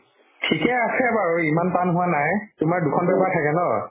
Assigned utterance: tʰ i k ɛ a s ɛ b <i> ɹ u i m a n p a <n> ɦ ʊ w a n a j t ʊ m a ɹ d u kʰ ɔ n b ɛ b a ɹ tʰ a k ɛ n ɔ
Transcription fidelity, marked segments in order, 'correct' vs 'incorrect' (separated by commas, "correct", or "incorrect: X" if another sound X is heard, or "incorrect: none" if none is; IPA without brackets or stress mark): incorrect: a, correct